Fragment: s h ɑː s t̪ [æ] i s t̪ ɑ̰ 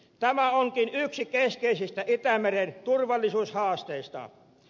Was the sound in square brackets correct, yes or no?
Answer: no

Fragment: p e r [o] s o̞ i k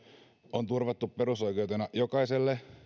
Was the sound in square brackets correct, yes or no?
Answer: no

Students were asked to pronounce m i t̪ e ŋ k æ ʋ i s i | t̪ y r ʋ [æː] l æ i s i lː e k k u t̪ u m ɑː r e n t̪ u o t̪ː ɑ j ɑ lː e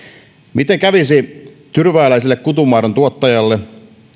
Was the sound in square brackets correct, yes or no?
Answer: yes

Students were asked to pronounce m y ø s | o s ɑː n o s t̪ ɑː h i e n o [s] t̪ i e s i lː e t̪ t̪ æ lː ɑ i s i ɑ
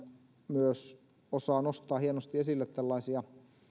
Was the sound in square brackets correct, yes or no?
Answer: yes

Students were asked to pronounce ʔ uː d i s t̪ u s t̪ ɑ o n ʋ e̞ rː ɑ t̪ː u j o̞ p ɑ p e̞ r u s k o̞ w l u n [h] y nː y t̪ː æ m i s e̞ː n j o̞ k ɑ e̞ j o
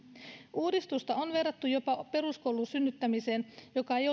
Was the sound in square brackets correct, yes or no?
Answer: no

